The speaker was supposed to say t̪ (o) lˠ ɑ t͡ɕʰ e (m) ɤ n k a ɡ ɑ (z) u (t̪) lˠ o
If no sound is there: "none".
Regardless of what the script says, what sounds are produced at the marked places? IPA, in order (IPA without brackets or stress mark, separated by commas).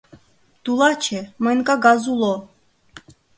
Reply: u, m, z, none